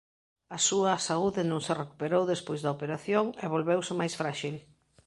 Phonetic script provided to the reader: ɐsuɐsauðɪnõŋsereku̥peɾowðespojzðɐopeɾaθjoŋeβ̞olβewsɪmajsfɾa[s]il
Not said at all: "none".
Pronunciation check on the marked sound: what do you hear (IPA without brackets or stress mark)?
ʃ